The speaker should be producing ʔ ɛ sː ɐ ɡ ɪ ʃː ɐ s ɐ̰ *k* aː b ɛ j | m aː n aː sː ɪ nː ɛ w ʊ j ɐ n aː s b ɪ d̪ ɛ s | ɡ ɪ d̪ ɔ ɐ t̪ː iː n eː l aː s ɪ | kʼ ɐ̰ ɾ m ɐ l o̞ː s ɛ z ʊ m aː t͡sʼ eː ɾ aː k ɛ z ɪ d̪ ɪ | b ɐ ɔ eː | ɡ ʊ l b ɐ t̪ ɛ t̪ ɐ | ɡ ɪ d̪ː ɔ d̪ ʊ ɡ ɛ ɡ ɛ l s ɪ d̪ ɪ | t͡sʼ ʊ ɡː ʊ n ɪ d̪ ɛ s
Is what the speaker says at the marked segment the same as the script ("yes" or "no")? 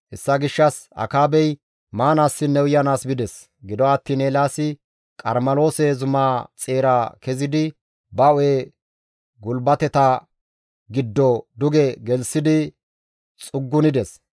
yes